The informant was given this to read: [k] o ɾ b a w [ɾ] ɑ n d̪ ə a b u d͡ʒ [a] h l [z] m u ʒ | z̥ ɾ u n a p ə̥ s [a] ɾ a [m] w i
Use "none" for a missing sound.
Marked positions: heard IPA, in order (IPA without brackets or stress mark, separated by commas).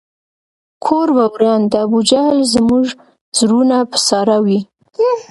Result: kʰ, ɾ, a, z, ɑ, none